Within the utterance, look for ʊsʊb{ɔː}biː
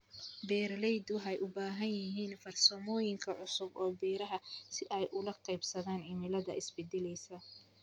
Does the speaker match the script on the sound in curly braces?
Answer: yes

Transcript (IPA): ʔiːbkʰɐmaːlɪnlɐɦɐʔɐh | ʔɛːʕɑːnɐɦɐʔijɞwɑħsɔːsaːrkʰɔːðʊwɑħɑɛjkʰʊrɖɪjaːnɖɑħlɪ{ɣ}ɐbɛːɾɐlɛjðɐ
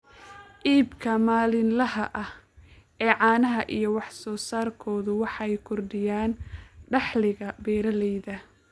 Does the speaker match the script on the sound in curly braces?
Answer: yes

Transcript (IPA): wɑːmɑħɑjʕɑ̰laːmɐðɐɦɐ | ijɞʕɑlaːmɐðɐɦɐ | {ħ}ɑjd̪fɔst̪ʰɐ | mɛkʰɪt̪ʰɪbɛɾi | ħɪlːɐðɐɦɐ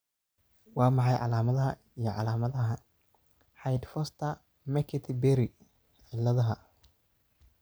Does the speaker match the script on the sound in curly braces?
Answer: yes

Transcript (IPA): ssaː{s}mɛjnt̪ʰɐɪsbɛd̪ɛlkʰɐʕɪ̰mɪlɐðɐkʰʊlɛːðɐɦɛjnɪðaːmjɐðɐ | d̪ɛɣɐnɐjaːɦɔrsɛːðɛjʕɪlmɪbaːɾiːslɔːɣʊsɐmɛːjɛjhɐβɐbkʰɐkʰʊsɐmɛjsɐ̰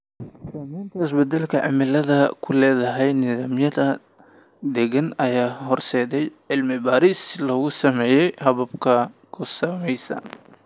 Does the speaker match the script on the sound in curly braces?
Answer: no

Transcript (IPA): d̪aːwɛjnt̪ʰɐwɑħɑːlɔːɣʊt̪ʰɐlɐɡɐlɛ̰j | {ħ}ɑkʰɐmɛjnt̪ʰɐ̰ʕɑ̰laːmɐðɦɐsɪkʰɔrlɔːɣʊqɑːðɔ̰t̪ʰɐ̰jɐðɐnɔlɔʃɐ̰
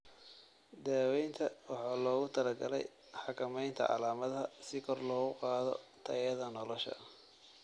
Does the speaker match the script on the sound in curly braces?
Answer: yes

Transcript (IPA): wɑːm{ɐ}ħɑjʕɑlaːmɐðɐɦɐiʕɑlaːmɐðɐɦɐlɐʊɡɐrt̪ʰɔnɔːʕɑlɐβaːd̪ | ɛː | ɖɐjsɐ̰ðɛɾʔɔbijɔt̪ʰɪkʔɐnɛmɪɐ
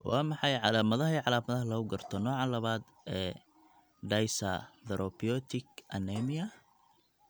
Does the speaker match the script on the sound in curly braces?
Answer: no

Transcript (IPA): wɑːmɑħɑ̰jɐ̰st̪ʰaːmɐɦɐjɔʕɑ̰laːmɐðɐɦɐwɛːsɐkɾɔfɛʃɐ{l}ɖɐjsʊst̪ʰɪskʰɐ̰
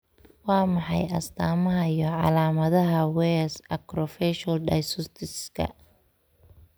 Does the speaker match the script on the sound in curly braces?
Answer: yes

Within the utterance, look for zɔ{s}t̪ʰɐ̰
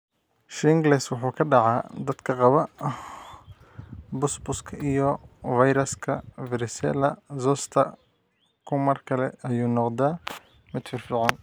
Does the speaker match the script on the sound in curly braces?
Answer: yes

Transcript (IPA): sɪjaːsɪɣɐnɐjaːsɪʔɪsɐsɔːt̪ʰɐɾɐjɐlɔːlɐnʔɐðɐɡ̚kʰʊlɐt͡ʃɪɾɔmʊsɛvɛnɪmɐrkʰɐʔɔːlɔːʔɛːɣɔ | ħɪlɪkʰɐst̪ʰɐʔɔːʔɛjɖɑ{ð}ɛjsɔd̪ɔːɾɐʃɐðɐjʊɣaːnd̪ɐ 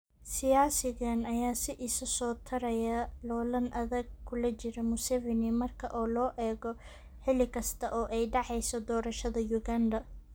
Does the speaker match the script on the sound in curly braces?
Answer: no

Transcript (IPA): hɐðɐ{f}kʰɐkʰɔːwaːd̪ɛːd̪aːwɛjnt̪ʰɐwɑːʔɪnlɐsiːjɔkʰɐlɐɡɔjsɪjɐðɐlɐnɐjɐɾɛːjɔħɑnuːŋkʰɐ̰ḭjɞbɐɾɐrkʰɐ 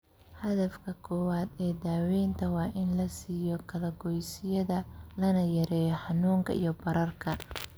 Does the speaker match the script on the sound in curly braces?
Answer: yes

